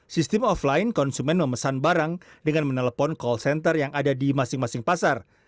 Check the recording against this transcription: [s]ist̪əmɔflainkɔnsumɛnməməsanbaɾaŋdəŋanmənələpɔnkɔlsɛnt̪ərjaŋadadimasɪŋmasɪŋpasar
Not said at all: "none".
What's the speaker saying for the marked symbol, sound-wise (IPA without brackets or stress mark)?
s